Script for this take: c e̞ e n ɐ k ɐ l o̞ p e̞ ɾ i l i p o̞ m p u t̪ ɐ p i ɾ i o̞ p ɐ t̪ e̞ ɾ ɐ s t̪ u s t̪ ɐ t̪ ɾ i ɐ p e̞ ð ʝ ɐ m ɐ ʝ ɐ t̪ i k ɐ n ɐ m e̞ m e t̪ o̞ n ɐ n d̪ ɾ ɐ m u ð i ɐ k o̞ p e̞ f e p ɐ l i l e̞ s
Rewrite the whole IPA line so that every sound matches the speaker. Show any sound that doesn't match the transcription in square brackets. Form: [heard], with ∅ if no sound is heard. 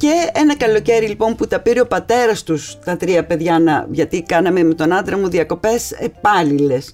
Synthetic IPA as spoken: c e̞ e n ɐ k ɐ l o̞ [c] e̞ ɾ i l i p o̞ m p u t̪ ɐ p i ɾ i o̞ p ɐ t̪ e̞ ɾ ɐ s t̪ u s t̪ ɐ t̪ ɾ i ɐ p e̞ ð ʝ ɐ [n] ɐ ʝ ɐ t̪ i k ɐ n ɐ m e̞ m e t̪ o̞ n ɐ n d̪ ɾ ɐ m u ð i ɐ k o̞ p e̞ [s] e p ɐ l i l e̞ s